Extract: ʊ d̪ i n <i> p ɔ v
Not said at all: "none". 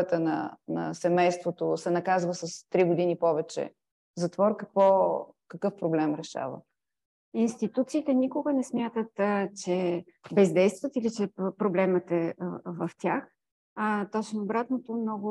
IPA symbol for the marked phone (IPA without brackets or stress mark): i